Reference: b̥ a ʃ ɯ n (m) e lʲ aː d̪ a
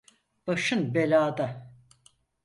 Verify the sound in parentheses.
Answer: incorrect: b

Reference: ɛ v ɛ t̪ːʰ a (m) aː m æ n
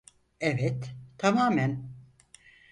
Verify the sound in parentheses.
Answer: correct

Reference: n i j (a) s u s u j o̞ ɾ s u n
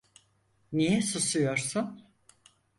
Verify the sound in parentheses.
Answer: incorrect: ɛ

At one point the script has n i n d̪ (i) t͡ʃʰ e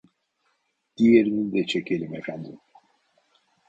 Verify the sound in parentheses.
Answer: incorrect: ɛ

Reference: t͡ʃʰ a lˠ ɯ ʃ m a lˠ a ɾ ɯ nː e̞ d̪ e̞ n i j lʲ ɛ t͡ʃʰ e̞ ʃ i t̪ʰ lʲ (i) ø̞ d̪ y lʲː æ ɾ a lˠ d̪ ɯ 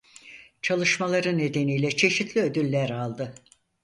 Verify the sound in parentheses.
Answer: correct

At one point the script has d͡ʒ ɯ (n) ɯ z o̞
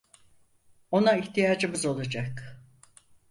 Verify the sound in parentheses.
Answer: incorrect: m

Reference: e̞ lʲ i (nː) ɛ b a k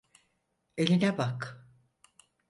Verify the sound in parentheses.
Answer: incorrect: n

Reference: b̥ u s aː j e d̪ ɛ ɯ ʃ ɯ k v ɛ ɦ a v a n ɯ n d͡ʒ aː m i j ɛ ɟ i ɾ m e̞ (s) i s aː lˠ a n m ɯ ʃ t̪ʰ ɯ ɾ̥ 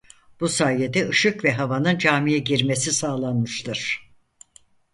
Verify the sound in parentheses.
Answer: correct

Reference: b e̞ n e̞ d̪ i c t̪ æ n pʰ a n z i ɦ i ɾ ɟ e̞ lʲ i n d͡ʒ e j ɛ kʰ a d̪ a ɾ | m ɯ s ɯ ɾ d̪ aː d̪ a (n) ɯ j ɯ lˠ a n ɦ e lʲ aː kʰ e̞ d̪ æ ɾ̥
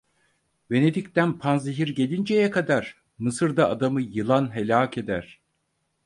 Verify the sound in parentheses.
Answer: incorrect: m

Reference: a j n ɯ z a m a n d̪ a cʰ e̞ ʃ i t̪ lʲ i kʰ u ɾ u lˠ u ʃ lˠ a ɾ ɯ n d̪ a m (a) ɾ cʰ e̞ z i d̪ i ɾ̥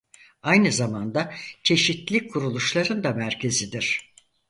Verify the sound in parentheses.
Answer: incorrect: æ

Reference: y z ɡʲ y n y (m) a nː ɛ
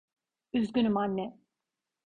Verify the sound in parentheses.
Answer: correct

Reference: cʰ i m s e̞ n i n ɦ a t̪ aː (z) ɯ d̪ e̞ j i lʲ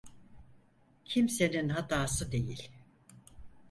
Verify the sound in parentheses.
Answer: incorrect: s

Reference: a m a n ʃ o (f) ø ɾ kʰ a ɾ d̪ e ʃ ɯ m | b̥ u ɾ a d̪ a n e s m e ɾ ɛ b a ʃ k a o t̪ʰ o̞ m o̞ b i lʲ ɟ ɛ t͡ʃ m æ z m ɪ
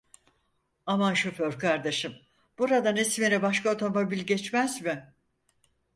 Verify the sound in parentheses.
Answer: correct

